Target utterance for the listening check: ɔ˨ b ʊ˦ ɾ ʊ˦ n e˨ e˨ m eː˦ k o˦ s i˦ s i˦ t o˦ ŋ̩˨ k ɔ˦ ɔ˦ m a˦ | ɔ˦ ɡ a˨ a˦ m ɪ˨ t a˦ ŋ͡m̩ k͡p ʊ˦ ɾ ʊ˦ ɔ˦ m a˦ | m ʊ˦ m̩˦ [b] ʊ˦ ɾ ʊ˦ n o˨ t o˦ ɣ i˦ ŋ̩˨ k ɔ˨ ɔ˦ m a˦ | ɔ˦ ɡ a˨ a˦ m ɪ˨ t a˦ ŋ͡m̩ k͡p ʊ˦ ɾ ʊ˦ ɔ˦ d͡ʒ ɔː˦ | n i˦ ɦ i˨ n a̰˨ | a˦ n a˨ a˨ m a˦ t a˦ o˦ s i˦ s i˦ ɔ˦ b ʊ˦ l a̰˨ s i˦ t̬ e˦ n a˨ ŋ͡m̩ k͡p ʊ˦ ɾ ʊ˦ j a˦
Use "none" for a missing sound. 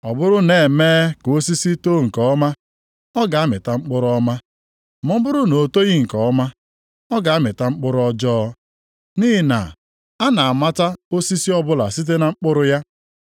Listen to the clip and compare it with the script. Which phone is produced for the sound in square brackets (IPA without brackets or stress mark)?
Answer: b